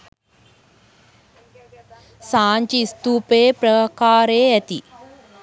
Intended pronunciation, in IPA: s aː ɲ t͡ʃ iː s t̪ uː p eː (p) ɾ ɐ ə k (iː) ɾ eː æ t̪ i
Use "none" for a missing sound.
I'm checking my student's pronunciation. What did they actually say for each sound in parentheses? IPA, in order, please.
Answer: p, aː

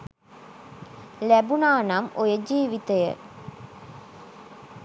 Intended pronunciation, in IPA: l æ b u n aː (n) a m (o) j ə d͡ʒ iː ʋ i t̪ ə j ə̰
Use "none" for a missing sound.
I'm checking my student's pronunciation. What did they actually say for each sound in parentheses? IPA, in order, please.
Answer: n, o

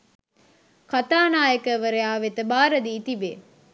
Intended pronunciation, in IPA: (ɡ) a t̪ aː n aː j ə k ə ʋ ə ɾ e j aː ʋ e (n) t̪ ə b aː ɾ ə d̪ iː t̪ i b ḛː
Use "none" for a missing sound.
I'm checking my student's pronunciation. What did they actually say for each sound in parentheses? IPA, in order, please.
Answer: k, none

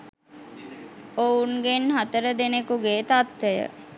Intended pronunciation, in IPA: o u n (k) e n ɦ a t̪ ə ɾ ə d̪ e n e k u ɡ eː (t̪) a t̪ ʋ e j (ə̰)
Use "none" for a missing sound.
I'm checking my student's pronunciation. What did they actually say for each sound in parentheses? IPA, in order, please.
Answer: ɡ, t̪, ə̰

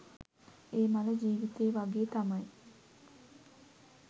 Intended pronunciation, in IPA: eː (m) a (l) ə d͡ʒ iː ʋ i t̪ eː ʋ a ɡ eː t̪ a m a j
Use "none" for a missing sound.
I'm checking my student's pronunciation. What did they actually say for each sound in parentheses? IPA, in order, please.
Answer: m, l

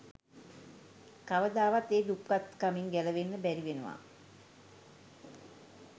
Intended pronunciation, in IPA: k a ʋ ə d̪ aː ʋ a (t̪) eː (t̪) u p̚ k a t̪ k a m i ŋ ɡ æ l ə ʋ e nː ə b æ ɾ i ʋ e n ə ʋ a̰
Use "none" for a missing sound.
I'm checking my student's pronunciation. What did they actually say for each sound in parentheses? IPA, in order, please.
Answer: t̪, d̪

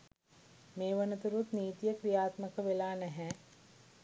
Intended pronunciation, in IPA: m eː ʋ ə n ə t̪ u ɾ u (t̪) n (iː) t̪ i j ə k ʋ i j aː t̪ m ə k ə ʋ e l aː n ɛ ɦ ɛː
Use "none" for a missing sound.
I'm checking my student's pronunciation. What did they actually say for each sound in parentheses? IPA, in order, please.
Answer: t̪, iː

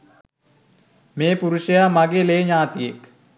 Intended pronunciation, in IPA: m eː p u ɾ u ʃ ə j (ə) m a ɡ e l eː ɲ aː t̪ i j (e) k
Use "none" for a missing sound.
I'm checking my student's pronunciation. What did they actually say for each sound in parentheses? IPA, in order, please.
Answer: a, e

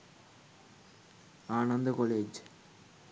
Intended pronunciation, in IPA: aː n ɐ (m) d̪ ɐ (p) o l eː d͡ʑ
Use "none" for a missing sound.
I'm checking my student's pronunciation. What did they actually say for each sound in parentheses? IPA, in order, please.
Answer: n, k

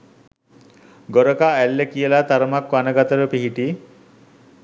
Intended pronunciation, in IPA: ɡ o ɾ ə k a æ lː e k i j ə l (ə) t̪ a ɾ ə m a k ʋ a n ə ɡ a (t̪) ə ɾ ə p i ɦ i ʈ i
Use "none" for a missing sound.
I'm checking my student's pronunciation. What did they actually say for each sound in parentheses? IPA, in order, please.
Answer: a, t̪

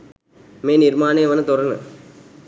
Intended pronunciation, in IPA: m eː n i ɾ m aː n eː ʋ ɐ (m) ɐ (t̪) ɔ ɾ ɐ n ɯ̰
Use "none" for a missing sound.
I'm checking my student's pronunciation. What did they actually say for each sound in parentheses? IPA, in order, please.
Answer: n, t̪

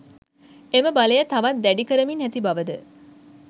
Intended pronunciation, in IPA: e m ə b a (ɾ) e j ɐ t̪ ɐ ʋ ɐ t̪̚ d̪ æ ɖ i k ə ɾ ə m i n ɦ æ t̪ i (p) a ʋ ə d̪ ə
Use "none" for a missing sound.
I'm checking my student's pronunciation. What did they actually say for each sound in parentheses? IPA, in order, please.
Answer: l, b

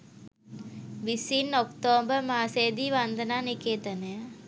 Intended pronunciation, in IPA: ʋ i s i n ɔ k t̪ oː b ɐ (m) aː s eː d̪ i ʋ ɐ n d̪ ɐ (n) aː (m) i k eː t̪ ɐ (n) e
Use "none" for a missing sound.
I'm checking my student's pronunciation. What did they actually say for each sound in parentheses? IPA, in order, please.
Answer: m, n, n, n

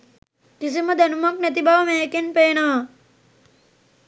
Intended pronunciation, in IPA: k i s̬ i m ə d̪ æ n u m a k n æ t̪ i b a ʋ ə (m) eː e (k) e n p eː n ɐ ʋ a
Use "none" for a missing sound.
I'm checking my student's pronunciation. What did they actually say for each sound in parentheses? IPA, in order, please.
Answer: m, k

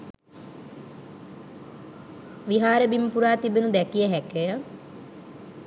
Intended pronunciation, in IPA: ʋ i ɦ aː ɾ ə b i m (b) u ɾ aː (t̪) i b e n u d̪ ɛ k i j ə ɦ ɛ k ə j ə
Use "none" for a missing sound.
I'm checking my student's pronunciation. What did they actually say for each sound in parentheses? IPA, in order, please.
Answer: p, t̪

